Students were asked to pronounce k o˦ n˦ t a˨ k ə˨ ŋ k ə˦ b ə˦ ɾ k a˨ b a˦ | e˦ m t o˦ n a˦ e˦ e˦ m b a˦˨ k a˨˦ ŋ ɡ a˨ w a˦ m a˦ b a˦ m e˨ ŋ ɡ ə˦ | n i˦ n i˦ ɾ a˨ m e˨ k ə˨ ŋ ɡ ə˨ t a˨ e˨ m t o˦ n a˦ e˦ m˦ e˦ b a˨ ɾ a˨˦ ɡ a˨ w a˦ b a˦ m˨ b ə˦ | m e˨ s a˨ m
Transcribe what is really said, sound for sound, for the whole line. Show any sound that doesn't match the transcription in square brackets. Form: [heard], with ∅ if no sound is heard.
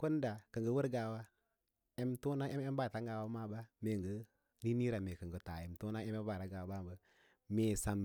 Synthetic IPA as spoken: k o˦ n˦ [d] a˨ k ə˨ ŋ [ɡ] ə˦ [w] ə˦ ɾ [ɡ] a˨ [w] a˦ | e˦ m t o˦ n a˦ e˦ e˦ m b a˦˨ [t] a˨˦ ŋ ɡ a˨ w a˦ m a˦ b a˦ m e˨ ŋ ɡ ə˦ | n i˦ n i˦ ɾ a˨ m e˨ k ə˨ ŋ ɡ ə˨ t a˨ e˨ m t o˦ n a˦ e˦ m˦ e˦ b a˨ ɾ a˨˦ ɡ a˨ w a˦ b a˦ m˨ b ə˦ | m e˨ s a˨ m